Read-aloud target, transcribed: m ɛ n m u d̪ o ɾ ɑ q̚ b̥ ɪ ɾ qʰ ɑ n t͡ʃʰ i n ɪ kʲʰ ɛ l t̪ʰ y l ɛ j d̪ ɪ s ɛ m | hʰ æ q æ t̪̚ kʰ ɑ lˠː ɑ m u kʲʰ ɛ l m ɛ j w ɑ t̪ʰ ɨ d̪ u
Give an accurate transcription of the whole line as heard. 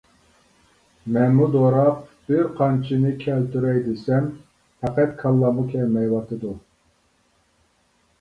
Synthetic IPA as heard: m ɛ n m u d̪ o ɾ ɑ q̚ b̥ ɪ ɾ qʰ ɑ n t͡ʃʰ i n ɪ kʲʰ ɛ l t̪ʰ y ɾ ɛ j d̪ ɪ s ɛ m | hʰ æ q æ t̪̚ kʰ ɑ lˠː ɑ m u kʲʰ ɛ l m ɛ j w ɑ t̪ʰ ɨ d̪ u